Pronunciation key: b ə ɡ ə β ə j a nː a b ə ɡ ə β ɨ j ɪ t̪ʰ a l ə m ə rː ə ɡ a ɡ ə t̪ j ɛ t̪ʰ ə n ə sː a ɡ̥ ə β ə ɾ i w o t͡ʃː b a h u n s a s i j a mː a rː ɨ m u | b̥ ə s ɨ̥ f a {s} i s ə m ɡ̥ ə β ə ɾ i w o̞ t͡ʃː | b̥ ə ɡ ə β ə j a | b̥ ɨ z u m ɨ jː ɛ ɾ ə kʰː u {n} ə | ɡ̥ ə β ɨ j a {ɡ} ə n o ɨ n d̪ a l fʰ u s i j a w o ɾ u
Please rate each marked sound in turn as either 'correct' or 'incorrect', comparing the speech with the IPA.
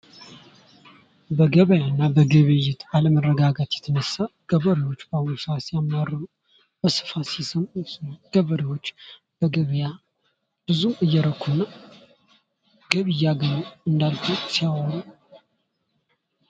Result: correct, correct, correct

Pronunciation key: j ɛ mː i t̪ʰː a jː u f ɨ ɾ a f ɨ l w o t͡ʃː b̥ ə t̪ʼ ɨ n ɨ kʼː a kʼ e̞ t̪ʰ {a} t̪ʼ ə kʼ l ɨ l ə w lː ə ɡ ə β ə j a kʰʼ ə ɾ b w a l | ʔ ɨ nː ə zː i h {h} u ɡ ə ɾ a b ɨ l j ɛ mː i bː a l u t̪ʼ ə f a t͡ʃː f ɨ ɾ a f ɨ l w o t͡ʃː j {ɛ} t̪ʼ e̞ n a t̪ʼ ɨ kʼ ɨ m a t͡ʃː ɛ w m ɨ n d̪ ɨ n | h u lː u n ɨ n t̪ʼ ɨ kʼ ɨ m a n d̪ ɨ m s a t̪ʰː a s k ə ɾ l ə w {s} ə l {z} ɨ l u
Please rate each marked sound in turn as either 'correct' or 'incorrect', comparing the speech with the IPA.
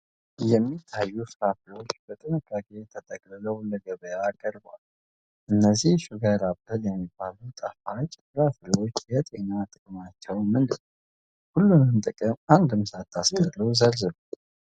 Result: incorrect: ə, incorrect: ʃ, correct, incorrect: z, correct

